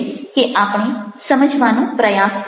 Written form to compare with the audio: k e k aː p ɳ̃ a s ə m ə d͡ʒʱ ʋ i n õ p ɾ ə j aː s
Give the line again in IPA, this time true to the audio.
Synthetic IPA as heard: k e ʔ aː p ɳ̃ e s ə m ə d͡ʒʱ ʋ a n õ p ɾ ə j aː s